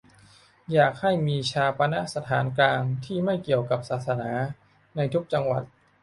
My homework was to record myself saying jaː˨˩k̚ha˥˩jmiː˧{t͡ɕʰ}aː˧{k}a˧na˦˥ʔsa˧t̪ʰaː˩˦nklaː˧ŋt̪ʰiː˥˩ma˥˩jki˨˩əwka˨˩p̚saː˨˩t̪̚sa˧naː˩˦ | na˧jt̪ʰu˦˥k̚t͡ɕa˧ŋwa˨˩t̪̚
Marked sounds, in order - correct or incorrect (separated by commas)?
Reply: correct, incorrect